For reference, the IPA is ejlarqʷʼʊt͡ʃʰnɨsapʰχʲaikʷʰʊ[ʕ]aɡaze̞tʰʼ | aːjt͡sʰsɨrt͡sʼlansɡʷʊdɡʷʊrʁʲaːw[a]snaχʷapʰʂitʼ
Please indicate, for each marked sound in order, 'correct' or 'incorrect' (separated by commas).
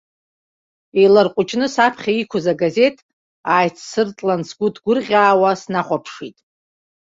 incorrect, correct